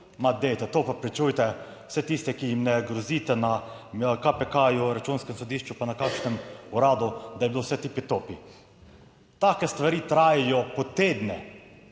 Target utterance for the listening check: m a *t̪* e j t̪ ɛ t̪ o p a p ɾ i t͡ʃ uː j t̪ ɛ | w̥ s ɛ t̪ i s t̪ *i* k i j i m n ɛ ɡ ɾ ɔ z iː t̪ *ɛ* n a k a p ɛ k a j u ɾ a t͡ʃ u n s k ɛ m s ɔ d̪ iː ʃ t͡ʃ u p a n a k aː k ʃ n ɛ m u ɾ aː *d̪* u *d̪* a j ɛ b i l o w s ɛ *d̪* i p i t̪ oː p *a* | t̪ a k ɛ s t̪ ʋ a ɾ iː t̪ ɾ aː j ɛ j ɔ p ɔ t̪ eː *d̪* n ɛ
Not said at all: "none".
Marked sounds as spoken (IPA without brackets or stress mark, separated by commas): d̪, ɛ, ɛ, d̪, d̪, t̪, i, d̪